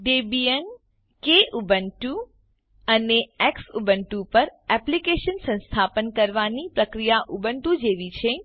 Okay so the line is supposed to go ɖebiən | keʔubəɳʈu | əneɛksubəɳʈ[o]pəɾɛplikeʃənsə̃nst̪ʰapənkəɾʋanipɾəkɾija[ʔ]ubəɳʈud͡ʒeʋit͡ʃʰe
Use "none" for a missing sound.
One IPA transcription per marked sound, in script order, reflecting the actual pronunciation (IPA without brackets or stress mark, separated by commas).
u, ʔ